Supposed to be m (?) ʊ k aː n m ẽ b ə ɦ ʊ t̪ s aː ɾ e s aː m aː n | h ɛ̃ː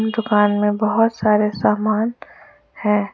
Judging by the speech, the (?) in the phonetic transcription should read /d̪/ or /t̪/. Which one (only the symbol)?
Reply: d̪